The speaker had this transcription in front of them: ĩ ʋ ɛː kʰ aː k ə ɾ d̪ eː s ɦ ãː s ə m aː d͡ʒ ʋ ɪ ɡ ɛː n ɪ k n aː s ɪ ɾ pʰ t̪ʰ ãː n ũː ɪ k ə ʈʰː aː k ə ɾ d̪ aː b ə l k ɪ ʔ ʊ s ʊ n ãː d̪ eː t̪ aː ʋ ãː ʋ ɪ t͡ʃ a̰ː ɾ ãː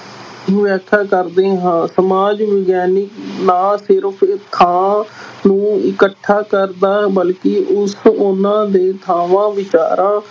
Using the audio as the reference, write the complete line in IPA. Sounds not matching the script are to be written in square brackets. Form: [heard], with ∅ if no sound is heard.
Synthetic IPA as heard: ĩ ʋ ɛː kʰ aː k ə ɾ d̪ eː [∅] ɦ ãː s ə m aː d͡ʒ ʋ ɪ ɡ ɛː n ɪ k n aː s ɪ ɾ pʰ t̪ʰ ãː n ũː ɪ k ə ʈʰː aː k ə ɾ d̪ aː b ə l k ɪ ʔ ʊ s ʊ n ãː d̪ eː [t̪ʰ] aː ʋ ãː ʋ ɪ t͡ʃ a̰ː ɾ ãː